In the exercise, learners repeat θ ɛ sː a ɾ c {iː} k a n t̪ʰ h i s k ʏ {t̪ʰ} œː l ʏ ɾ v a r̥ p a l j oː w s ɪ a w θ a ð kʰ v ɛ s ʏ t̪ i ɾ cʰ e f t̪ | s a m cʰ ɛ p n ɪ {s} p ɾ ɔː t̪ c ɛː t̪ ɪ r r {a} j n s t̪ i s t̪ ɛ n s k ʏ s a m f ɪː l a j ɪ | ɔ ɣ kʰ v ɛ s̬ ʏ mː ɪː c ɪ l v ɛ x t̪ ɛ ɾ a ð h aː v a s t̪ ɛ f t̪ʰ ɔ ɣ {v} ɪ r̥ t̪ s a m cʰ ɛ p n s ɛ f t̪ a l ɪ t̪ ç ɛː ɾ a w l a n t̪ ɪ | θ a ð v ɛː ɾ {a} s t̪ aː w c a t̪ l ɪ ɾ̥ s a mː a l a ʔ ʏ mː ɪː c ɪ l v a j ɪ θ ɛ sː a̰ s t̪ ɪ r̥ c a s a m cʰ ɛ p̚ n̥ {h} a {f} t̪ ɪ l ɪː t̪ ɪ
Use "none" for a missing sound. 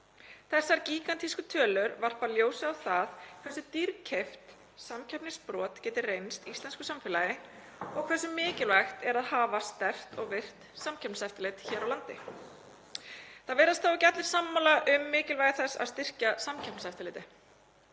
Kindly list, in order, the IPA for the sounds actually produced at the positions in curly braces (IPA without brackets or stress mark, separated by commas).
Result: iː, t̪ʰ, s, e, v, a, s, f